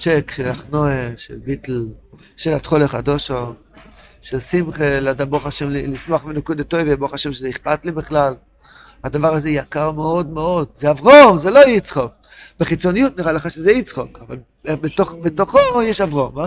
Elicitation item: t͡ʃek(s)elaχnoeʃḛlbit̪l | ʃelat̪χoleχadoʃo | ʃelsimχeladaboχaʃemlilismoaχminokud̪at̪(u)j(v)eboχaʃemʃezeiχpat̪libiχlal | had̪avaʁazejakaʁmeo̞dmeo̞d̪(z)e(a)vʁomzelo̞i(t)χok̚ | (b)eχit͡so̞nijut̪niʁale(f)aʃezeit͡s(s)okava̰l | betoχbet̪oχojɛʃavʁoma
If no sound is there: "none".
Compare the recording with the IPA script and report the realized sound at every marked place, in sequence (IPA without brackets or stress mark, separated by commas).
ʃ, o, v, z, a, t͡s, b, χ, χ